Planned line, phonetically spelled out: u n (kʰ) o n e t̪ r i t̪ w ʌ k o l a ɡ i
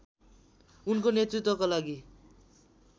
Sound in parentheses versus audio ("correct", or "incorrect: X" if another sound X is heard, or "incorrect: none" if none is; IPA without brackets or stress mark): incorrect: k